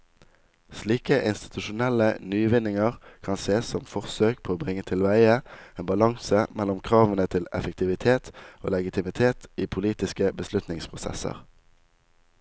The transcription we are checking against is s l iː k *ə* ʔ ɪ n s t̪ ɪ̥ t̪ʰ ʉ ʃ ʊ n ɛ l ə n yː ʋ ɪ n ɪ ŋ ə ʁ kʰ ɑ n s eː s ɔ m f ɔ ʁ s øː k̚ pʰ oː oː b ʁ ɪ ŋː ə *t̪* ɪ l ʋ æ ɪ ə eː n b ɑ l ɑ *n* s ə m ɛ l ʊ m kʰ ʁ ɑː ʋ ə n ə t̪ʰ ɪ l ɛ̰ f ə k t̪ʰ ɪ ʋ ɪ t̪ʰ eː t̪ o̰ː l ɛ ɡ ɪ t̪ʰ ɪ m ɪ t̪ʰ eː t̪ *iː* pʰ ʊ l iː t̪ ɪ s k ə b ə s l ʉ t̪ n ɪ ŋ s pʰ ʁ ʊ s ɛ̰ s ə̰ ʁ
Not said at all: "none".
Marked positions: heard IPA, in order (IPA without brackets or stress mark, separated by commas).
ə, t̪ʰ, ŋ, iː